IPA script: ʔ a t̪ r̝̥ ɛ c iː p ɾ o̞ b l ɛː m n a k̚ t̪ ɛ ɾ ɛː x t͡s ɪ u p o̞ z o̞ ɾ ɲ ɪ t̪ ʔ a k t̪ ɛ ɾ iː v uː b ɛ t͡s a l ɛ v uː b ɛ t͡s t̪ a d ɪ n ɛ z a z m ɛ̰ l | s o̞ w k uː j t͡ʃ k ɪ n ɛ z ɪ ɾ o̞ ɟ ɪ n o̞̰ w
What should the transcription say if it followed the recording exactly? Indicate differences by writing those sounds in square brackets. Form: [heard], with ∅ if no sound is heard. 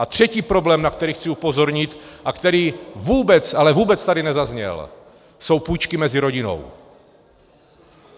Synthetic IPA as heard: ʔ a t̪ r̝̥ ɛ c iː p ɾ o̞ b l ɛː m n a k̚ t̪ ɛ ɾ [iː] x t͡s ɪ u p o̞ z o̞ ɾ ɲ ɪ t̪ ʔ a k t̪ ɛ ɾ iː v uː b ɛ t͡s a l ɛ v uː b ɛ t͡s t̪ a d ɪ n ɛ z a z [ɲ] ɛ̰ l | s o̞ w [p] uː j t͡ʃ k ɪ [m] ɛ z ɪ ɾ o̞ ɟ ɪ n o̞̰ w